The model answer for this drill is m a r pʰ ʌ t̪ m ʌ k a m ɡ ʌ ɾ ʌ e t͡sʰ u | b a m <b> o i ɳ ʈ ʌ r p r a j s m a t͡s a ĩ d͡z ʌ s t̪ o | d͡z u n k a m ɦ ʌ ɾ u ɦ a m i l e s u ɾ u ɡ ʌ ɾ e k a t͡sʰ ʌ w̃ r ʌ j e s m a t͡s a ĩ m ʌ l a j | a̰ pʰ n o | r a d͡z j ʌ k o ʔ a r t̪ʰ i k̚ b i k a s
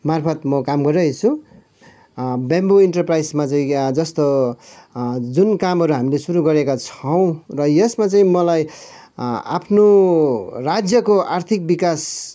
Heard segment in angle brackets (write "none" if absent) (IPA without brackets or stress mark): b